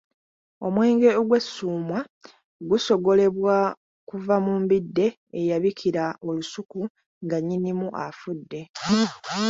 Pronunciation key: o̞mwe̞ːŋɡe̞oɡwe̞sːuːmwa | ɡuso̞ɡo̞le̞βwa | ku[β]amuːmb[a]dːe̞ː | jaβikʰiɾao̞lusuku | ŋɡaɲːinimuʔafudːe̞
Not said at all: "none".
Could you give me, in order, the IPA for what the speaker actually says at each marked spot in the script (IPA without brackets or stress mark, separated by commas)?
v, i